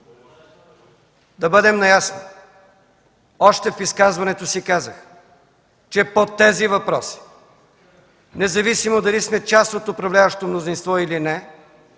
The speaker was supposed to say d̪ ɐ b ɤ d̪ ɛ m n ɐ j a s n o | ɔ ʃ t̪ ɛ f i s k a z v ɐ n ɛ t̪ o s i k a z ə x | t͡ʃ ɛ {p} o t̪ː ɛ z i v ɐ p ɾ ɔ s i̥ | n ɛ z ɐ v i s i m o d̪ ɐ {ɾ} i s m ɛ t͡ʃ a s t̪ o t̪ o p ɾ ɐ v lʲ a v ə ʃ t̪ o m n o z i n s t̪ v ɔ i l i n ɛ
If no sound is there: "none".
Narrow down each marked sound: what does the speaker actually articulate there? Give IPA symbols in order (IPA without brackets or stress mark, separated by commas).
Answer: p, l